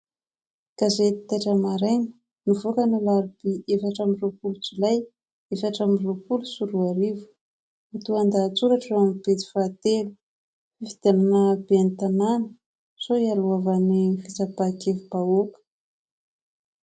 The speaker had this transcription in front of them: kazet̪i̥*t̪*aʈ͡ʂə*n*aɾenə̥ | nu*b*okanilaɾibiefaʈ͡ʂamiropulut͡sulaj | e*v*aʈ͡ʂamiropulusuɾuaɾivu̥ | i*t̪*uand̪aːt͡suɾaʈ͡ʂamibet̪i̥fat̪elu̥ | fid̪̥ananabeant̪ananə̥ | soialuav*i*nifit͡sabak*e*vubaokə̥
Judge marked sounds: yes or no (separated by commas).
yes, no, no, no, yes, no, yes